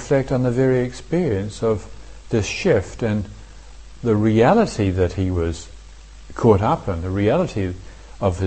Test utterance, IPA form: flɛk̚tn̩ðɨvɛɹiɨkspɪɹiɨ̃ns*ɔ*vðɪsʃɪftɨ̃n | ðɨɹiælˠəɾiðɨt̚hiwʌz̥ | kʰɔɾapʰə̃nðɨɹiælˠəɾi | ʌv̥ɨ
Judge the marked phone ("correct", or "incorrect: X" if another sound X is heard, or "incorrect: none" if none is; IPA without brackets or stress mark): incorrect: ʌ